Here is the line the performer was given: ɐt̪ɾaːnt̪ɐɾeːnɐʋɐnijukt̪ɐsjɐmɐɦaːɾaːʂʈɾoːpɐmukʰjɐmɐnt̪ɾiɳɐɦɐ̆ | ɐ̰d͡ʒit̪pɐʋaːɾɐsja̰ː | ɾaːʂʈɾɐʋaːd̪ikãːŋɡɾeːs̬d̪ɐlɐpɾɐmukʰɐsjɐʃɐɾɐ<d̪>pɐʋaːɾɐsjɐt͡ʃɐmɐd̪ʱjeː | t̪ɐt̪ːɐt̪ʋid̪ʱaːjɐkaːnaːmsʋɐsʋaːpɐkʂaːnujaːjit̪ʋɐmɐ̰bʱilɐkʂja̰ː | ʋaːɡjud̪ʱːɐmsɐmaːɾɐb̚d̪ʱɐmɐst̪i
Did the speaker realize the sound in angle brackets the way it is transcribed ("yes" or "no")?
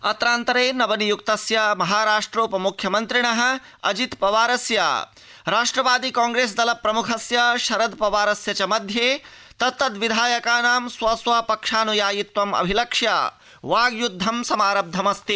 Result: yes